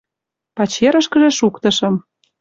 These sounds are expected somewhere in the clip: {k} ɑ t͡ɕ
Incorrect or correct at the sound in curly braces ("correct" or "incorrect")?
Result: incorrect